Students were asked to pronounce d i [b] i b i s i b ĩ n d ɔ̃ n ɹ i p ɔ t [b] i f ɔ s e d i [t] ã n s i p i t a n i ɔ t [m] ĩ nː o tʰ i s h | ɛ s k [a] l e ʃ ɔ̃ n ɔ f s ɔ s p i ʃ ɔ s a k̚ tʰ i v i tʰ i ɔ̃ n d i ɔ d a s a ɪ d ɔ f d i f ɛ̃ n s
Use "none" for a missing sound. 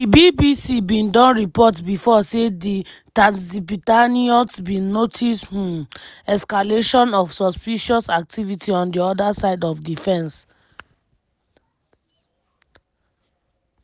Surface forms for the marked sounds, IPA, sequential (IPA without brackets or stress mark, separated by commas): b, b, t, b, a